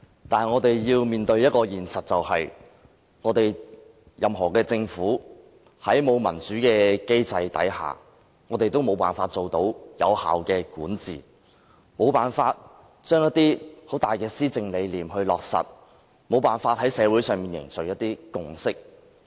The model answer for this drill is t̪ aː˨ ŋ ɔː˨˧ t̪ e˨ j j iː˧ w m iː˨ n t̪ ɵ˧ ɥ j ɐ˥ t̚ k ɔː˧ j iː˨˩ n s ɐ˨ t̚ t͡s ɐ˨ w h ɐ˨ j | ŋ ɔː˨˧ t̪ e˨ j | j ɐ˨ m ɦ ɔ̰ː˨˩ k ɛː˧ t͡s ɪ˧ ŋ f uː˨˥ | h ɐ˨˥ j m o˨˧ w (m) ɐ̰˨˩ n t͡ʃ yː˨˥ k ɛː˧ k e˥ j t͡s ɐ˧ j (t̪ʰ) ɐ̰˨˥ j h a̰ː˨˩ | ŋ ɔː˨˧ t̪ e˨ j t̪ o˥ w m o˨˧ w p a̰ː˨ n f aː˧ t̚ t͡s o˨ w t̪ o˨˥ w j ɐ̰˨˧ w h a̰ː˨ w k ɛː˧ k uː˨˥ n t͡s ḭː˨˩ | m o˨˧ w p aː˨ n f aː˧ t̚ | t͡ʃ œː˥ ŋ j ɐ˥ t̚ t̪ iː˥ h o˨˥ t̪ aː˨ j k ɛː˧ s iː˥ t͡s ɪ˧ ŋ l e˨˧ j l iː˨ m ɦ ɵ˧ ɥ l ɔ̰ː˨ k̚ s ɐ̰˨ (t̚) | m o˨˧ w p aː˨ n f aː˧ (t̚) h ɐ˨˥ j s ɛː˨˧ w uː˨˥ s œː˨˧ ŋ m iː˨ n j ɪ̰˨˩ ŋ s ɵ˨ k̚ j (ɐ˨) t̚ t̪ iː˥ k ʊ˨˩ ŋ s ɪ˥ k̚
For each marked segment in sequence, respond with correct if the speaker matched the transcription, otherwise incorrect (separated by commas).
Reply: correct, incorrect, correct, correct, incorrect